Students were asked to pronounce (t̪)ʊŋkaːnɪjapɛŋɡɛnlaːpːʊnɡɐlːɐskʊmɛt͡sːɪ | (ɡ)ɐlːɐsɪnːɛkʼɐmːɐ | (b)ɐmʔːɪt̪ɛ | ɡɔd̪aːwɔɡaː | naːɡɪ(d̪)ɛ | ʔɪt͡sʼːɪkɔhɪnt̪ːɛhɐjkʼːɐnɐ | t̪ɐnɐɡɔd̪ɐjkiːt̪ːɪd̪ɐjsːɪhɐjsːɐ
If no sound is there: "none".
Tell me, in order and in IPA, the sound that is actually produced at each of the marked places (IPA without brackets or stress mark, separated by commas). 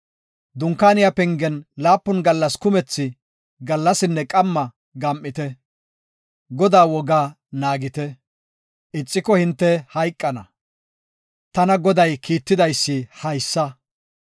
d̪, ɡ, ɡ, t̪